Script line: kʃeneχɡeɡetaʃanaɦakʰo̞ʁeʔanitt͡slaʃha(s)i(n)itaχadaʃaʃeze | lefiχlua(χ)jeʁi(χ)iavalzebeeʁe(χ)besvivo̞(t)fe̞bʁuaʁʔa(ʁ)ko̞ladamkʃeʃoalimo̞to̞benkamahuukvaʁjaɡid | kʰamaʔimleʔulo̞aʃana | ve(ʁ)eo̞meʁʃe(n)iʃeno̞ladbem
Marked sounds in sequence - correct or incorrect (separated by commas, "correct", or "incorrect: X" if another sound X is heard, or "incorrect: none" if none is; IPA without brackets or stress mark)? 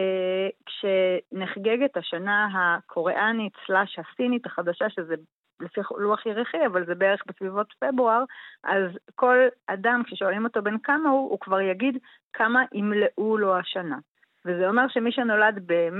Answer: correct, correct, correct, correct, correct, correct, incorrect: z, incorrect: z, incorrect: m